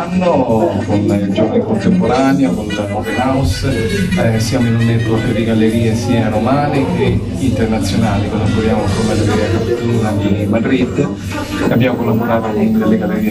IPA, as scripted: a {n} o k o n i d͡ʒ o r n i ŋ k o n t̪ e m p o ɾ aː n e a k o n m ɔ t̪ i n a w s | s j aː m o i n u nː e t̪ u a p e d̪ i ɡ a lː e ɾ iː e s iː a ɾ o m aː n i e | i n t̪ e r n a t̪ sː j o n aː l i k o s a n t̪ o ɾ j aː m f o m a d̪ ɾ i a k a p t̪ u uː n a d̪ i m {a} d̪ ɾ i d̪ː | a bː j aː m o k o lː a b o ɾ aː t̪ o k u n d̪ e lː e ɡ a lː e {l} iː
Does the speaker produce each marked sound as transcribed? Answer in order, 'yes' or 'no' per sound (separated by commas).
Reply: no, yes, no